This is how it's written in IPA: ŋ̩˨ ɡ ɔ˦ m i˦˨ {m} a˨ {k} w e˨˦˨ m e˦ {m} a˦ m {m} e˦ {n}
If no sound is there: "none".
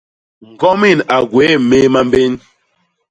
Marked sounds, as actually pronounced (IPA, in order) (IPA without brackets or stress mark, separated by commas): n, ɡ, m, b, n